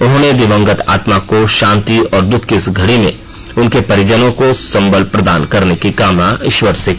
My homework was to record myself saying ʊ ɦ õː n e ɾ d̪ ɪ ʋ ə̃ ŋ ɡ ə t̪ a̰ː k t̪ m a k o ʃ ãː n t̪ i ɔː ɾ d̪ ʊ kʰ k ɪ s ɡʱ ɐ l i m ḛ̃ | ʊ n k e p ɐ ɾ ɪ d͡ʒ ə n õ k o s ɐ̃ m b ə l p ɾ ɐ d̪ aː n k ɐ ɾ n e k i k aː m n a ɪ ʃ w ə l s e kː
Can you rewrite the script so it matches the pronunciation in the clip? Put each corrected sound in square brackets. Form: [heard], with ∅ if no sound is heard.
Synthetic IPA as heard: ʊ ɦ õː n e [∅] d̪ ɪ ʋ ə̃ ŋ ɡ ə t̪ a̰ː [∅] t̪ m a k o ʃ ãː n t̪ i ɔː ɾ d̪ ʊ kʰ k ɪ s ɡʱ ɐ [ɽ] i m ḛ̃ | ʊ n k e p ɐ ɾ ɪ d͡ʒ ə n õ k o s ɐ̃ m b ə l p ɾ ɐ d̪ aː n k ɐ ɾ n e k i k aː m n a ɪ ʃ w ə [ɾ] s e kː